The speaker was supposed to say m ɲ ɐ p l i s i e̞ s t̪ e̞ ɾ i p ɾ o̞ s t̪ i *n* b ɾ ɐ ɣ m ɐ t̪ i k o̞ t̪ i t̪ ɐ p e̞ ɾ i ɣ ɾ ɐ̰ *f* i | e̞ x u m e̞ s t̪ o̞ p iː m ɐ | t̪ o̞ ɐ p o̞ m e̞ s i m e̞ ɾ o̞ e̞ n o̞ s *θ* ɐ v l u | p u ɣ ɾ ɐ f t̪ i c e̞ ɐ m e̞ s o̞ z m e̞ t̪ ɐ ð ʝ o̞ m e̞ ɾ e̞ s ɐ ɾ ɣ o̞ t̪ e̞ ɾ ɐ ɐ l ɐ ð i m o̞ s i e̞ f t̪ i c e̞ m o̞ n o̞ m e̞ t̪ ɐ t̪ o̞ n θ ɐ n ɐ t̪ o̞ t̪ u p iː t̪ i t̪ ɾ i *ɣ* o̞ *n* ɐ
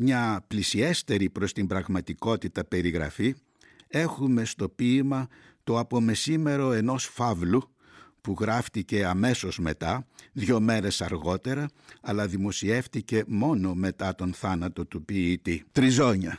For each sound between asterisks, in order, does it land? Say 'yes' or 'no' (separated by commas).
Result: no, yes, no, no, no